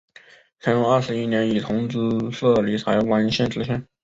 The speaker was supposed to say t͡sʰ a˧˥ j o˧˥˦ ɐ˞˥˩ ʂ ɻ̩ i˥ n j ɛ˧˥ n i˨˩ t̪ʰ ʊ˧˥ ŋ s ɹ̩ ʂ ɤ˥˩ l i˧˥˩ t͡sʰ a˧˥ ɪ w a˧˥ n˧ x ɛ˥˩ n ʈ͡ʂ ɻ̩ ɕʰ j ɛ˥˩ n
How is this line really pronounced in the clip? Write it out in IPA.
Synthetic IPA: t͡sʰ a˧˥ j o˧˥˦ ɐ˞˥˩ ʂ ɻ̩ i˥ n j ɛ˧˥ n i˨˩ t̪ʰ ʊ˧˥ ŋ t͡s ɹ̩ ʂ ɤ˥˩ l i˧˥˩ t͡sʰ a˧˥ ɪ w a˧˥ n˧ ɕ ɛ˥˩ n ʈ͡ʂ ɻ̩ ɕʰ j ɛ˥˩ n